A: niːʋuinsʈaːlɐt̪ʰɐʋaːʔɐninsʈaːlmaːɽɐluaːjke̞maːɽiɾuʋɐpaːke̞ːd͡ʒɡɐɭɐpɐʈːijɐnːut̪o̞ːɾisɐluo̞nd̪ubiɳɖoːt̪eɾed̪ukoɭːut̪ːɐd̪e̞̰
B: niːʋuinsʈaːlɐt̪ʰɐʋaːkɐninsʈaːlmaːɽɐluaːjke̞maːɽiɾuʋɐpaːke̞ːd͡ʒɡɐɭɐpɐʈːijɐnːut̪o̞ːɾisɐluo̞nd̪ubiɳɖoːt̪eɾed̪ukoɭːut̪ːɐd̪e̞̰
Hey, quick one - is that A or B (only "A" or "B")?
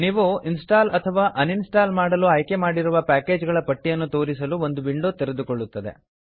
A